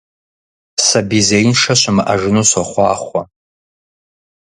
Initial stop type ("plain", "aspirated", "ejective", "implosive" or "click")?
plain